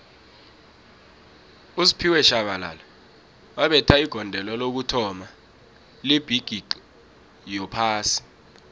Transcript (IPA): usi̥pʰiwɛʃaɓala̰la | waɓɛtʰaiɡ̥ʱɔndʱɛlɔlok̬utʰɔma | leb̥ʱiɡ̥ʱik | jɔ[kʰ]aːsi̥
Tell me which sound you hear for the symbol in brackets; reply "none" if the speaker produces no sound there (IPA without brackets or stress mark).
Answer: pʰ